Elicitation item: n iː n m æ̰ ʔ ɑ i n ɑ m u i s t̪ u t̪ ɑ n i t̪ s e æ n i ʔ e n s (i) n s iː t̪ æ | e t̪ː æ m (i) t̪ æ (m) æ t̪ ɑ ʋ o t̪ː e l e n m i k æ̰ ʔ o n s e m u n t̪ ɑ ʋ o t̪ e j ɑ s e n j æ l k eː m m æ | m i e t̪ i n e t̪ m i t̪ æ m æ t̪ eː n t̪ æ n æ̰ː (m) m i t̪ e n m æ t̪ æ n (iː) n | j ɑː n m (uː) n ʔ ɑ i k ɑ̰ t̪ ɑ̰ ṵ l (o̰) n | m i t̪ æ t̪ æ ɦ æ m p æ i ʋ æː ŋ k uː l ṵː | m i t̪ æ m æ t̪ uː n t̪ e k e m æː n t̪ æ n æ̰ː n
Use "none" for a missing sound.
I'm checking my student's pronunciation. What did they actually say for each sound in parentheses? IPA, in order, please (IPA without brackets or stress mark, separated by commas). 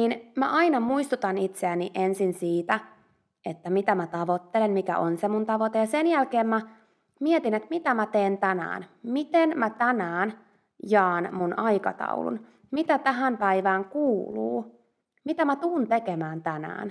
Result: i, i, m, n, æː, u, ṵ